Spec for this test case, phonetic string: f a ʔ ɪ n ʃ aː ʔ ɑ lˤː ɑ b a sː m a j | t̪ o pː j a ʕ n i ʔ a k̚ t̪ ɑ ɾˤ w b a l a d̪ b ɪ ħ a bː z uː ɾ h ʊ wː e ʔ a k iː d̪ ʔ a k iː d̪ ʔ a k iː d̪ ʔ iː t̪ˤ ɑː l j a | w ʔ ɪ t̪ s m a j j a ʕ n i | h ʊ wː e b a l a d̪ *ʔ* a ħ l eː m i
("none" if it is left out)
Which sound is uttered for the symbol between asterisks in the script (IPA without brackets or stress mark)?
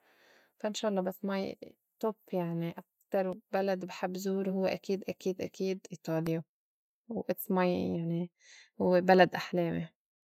ʔ